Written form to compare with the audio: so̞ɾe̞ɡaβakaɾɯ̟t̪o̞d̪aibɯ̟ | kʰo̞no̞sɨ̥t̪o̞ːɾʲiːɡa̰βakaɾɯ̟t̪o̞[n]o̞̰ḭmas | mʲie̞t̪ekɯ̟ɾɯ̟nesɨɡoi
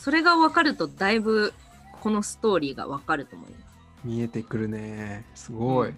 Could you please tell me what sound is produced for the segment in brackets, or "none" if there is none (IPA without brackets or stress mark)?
m